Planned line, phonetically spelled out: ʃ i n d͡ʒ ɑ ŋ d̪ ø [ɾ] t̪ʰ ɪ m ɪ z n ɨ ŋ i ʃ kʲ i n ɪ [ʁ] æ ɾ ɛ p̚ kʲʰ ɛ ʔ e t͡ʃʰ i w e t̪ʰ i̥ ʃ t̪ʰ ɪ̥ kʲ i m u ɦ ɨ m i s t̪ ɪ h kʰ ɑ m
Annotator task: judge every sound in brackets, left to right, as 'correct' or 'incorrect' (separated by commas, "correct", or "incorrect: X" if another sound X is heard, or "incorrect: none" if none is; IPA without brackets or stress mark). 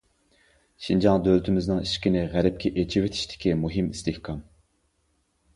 incorrect: l, correct